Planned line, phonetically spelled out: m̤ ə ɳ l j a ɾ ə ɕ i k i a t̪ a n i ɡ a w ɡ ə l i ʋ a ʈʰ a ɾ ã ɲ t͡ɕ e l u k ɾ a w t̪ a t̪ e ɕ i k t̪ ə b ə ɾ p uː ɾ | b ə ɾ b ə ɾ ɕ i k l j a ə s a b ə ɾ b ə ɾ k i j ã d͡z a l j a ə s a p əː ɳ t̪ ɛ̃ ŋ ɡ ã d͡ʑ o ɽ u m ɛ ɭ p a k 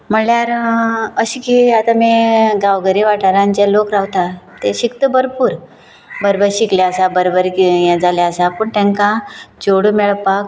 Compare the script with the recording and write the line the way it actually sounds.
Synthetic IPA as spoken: m̤ ə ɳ l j a ɾ ə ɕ i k i a t̪ a m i ɡ a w ɡ ə ɾ i ʋ a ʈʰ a ɾ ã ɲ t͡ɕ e l o k ɾ a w t̪ a t̪ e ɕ i k t̪ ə b ə ɾ p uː ɾ | b ə ɾ b ə ɾ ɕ i k l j a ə s a b ə ɾ b ə ɾ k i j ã d͡z a l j a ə s a p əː ɳ t̪ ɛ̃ ŋ k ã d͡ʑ o ɽ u m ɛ ɭ p a k